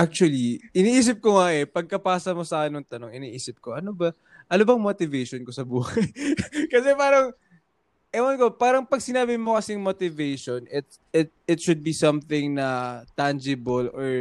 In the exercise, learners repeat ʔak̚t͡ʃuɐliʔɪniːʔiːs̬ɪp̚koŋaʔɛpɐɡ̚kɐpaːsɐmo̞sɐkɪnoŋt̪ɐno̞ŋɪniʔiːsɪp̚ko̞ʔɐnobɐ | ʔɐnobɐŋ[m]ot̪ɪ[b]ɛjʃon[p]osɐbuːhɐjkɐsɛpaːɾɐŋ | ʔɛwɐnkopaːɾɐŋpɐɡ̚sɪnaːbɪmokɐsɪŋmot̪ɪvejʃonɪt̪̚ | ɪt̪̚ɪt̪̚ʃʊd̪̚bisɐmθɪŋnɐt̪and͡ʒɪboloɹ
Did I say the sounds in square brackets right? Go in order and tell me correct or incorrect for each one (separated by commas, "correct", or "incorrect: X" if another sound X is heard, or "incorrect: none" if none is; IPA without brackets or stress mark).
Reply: correct, incorrect: v, incorrect: k